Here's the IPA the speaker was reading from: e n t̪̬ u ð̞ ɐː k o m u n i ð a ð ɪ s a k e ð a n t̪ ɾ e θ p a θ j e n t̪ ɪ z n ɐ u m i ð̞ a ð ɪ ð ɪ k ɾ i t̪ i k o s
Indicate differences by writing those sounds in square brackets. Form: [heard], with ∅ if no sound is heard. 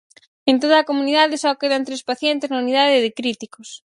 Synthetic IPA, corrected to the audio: e n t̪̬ [o] ð̞ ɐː k o m u n i ð a ð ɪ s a k e ð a n t̪ ɾ e [s] p a θ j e n t̪ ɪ z n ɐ u [n] i ð̞ a ð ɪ ð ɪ k ɾ i t̪ i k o s